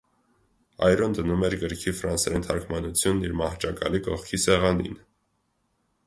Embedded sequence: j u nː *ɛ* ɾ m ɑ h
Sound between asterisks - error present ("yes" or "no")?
yes